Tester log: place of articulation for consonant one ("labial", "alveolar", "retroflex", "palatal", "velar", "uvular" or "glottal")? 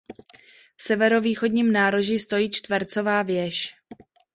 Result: labial